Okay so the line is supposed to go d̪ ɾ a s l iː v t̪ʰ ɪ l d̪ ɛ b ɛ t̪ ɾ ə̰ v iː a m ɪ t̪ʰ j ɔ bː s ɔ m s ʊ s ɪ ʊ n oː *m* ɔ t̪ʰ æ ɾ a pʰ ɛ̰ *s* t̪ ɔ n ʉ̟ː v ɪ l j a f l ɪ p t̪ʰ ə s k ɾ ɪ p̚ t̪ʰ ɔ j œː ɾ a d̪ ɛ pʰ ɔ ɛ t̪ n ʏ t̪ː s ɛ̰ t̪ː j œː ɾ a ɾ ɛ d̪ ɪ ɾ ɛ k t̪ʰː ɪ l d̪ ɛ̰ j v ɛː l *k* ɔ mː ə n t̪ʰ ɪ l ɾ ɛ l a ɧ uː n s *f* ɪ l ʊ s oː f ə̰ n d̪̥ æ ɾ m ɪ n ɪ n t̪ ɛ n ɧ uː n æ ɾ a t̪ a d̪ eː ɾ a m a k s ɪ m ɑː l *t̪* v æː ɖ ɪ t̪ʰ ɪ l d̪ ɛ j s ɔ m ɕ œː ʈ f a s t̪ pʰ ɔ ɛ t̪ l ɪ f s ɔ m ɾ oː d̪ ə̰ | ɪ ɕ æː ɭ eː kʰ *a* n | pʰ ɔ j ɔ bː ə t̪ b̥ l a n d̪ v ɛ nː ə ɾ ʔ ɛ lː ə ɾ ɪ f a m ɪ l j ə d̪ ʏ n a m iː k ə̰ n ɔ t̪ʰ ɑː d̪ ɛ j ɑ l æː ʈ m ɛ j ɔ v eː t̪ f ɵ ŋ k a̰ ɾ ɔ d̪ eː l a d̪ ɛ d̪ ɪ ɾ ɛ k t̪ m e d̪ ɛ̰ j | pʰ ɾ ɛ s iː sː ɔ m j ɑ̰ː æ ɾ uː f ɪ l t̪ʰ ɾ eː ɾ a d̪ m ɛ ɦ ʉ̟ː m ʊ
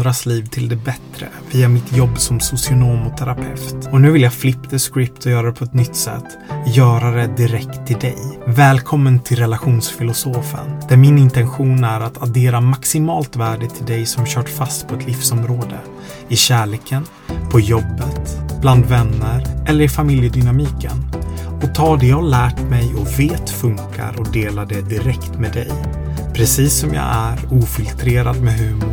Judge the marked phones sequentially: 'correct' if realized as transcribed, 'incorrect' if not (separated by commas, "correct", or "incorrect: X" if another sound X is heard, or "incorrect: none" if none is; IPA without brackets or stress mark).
correct, incorrect: f, incorrect: kʰ, correct, correct, incorrect: ə